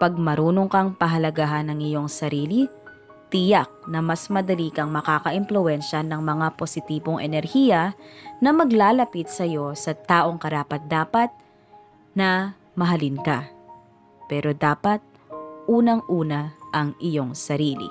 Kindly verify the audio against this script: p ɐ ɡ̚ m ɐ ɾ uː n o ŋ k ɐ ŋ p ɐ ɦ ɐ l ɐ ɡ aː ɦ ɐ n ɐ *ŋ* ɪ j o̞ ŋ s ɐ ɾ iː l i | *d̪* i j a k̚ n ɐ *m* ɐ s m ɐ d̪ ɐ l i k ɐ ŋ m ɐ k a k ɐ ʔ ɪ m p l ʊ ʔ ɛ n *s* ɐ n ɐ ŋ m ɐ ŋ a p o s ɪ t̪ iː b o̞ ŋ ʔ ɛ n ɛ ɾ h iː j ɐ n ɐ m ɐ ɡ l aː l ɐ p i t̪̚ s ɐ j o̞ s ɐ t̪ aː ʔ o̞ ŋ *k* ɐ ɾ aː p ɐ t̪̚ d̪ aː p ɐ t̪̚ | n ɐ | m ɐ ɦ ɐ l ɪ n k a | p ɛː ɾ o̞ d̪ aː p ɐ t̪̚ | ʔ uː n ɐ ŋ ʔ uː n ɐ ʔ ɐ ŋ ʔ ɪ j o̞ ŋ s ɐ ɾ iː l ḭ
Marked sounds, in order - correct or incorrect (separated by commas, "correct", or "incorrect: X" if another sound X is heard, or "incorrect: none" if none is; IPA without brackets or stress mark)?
correct, incorrect: t̪, correct, incorrect: ʃ, correct